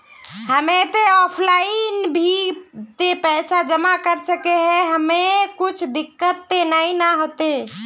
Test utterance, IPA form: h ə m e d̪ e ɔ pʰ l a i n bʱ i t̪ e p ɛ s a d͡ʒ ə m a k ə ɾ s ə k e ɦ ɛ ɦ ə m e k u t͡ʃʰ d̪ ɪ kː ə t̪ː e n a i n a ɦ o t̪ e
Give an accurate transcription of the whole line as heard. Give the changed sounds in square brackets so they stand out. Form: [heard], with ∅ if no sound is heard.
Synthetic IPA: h ə m e [t̪] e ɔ pʰ l a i n bʱ i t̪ e p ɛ s a d͡ʒ ə m a k ə ɾ s ə k e ɦ ɛ ɦ ə m e k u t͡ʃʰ d̪ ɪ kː ə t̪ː e n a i n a ɦ o t̪ e